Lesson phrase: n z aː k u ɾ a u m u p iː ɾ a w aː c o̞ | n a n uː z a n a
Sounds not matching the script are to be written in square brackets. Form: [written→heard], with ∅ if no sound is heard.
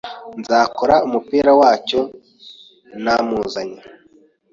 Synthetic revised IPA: n z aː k [u→o] ɾ a u m u p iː ɾ a w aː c o̞ | n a [n→m] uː z a [n→ɲ] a